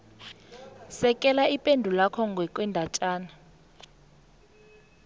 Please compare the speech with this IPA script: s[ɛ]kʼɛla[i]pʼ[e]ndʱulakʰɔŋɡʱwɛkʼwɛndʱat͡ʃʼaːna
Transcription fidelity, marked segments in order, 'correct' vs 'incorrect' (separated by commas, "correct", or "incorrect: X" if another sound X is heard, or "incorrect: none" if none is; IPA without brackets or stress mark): correct, correct, correct